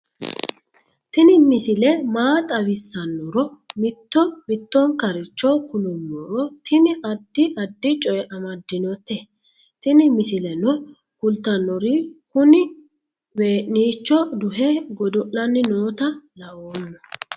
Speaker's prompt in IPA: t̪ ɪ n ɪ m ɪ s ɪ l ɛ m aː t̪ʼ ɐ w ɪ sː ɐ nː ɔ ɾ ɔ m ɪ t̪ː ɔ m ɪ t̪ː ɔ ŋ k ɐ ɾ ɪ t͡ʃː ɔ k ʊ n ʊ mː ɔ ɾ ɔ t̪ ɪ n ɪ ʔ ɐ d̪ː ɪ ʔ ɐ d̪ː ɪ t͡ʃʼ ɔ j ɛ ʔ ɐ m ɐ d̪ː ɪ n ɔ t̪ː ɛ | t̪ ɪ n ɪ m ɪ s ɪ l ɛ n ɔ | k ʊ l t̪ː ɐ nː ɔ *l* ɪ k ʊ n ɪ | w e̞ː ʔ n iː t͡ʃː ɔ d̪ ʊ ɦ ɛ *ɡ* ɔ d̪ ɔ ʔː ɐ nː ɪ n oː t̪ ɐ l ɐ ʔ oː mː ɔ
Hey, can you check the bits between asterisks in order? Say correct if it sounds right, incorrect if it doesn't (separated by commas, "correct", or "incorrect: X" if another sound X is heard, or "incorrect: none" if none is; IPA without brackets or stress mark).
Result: incorrect: ɾ, correct